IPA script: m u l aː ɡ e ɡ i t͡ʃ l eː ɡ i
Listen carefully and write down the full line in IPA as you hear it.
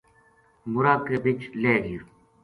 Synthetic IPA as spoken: m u ɾ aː k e b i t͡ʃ l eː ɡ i